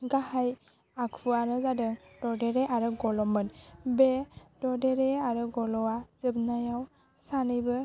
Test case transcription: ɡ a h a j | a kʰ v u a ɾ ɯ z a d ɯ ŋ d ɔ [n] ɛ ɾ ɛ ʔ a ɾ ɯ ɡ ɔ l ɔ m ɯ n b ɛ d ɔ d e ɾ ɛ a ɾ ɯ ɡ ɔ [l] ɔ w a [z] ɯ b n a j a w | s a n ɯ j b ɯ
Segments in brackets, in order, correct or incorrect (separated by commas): incorrect, correct, correct